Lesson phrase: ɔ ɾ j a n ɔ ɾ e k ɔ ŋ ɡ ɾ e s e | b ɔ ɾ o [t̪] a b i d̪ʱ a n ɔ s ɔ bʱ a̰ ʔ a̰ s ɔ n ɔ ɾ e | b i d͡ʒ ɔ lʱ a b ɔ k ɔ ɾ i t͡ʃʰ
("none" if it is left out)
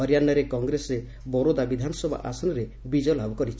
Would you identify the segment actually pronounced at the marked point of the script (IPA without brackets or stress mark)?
d̪